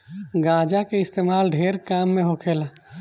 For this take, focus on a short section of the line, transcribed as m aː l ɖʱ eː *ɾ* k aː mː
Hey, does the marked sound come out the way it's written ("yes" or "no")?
yes